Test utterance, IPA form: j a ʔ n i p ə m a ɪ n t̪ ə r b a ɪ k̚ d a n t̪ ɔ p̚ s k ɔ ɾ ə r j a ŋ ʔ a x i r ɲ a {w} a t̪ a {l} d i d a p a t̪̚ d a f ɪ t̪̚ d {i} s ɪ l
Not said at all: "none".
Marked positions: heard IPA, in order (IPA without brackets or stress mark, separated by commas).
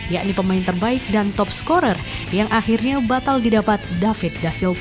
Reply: b, l, a